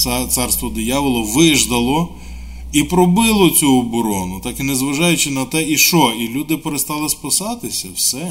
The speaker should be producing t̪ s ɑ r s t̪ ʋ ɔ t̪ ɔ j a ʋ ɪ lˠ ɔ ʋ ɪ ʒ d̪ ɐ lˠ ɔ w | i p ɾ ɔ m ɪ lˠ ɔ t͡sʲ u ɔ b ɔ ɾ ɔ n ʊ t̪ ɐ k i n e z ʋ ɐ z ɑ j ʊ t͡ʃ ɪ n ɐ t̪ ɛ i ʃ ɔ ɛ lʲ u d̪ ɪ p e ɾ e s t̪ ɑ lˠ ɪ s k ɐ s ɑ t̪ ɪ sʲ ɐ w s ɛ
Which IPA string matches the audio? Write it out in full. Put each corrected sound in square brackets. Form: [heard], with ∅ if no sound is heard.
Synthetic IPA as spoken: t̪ s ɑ r s t̪ ʋ ɔ [d̪] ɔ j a ʋ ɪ lˠ ɔ ʋ ɪ ʒ d̪ ɐ lˠ ɔ [∅] | i p ɾ ɔ [b] ɪ lˠ ɔ t͡sʲ u ɔ b ɔ ɾ ɔ n ʊ t̪ [ɑ] k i n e z ʋ ɐ [ʒ] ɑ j ʊ t͡ʃ ɪ n ɐ t̪ ɛ i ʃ ɔ [i] lʲ u d̪ ɪ p e ɾ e s t̪ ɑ lˠ ɪ s [p] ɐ s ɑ t̪ ɪ sʲ ɐ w s ɛ